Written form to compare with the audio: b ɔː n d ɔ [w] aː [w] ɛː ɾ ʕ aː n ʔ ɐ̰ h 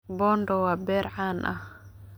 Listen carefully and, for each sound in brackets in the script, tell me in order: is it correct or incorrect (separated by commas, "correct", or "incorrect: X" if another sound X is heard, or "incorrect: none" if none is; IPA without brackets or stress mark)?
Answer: correct, incorrect: b